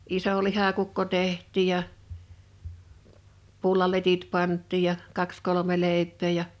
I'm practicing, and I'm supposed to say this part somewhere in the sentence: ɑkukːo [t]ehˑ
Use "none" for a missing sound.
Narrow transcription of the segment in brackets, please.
t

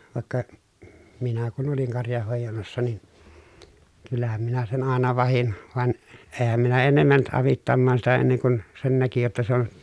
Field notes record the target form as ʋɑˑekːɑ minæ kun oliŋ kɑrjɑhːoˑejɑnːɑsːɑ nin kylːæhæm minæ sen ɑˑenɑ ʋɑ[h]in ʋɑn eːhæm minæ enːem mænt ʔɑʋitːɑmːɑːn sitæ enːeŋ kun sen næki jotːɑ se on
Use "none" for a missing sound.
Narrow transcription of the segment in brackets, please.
h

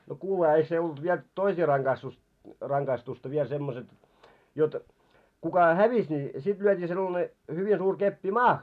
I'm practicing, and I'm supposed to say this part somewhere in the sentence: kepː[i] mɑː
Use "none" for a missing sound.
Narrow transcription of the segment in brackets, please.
i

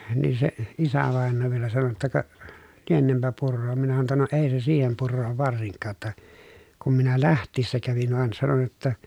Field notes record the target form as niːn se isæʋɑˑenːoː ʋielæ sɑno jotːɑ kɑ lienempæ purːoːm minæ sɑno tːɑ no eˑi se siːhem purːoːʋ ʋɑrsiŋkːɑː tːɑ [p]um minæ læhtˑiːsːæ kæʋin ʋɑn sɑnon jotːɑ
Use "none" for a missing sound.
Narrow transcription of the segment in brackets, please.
k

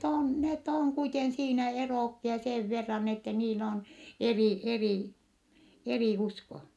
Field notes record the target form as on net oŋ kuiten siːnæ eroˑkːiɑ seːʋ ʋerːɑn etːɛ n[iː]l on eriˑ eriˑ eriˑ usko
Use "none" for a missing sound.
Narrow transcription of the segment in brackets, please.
iː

